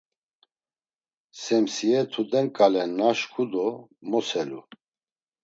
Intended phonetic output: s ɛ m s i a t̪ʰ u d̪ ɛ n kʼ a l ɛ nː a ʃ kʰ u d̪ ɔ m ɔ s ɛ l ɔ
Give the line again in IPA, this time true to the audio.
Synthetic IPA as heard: s ɛ m s i ɛ t̪ʰ u d̪ ɛ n kʼ a l ɛ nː a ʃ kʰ u d̪ ɔ m ɔ s ɛ l u